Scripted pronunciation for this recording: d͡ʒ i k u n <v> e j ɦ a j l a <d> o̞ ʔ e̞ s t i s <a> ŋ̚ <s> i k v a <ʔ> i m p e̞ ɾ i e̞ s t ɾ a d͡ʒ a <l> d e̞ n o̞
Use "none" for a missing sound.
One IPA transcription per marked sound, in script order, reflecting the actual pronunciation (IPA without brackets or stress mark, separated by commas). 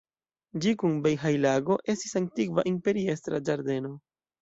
b, ɡ, a, t, ʔ, ɾ